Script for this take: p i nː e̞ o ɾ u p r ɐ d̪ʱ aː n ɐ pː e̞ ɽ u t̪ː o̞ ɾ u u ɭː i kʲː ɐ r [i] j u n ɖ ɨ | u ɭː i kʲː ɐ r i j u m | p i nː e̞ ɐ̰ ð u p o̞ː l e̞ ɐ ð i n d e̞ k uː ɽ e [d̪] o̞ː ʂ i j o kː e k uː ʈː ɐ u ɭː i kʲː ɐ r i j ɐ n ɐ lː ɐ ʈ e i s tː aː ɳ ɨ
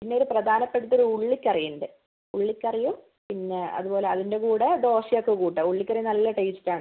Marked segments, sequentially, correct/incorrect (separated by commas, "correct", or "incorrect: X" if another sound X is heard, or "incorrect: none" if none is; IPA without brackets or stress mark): correct, correct